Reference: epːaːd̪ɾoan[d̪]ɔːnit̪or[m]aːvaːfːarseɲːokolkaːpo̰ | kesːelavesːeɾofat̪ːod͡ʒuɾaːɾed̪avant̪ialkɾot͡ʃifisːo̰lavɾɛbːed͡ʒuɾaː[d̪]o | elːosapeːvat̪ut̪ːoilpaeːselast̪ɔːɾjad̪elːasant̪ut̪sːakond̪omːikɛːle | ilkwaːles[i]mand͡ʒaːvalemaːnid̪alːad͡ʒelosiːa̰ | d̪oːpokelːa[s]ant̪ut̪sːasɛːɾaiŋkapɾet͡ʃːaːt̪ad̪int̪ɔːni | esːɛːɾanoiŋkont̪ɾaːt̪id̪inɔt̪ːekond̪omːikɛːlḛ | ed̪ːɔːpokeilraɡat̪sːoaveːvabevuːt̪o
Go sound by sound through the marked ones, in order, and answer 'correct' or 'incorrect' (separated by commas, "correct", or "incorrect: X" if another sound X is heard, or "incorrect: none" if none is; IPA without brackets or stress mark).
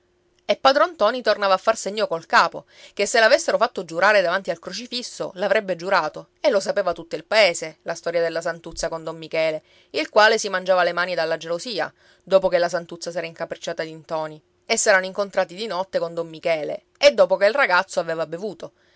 incorrect: t̪, incorrect: n, incorrect: t̪, correct, correct